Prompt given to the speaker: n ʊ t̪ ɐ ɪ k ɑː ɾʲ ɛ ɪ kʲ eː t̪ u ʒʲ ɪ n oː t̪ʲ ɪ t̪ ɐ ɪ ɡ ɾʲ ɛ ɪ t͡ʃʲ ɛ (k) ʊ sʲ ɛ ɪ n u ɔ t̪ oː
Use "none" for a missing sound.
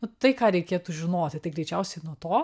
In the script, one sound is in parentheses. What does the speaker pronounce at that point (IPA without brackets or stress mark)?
none